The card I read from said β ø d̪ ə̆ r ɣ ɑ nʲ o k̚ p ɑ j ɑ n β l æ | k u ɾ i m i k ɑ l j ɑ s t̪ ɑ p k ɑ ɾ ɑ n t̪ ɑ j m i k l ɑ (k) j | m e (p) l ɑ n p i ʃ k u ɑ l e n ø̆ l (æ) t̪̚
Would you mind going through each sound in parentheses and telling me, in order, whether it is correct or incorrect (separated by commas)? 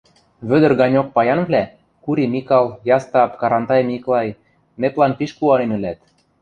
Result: incorrect, correct, correct